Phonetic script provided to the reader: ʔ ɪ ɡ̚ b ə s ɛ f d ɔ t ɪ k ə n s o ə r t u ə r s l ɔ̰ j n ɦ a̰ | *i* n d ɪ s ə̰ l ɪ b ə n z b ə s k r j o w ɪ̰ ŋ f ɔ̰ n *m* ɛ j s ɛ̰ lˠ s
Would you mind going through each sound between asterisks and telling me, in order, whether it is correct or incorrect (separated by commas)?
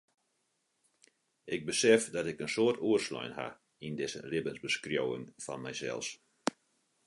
correct, correct